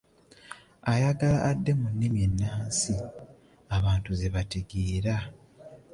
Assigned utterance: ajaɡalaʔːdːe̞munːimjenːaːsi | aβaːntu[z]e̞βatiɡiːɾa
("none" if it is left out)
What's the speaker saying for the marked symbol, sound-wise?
z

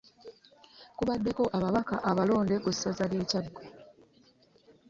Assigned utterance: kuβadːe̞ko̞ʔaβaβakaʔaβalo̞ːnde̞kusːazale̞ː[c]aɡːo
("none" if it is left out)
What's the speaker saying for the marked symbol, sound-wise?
c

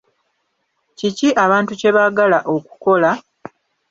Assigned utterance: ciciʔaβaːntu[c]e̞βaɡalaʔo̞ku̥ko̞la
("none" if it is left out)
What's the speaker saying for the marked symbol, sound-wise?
c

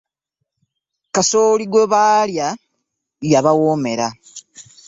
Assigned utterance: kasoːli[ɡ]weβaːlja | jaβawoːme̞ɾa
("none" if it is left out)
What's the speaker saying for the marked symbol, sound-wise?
ɡ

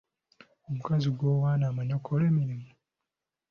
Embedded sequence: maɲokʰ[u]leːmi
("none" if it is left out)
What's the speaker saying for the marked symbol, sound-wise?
o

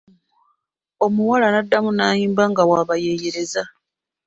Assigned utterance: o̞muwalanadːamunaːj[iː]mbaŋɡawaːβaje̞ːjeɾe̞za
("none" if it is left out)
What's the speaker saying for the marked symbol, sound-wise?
iː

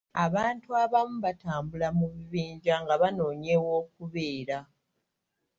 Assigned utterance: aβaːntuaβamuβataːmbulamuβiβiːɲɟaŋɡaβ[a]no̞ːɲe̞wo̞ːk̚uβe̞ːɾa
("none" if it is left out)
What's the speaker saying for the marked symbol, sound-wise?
a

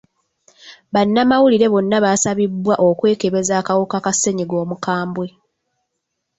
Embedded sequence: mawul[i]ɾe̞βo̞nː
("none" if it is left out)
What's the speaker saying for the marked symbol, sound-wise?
i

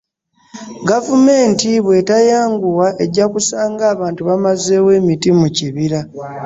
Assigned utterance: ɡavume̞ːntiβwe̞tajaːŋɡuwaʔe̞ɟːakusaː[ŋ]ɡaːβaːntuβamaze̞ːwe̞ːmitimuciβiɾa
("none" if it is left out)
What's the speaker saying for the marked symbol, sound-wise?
ŋ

